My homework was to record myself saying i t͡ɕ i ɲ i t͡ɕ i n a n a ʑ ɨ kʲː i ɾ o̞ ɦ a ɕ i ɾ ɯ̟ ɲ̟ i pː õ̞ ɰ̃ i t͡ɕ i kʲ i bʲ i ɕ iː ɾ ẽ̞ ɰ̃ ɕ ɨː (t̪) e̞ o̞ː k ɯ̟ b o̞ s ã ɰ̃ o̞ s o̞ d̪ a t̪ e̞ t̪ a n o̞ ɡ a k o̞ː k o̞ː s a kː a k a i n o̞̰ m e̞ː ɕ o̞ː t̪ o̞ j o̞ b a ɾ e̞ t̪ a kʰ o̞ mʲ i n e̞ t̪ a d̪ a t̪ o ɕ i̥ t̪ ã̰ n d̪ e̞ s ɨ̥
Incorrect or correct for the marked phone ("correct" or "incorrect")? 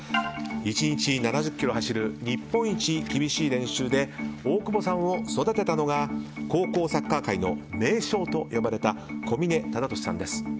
incorrect